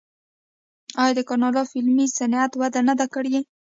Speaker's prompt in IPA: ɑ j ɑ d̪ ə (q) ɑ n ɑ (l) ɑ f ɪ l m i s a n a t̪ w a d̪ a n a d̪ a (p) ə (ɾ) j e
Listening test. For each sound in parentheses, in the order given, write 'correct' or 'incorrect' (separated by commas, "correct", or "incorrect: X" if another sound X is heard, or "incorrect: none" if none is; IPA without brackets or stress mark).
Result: incorrect: k, correct, incorrect: k, incorrect: ɽ